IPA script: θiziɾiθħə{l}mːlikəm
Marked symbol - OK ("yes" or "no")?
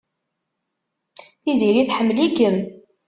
no